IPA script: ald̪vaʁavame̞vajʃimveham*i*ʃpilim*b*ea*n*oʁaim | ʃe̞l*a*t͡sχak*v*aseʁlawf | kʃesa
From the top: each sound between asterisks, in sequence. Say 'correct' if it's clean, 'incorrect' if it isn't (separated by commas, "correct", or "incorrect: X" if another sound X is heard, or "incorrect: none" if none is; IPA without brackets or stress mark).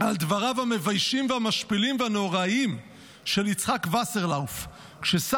incorrect: a, incorrect: v, correct, incorrect: i, correct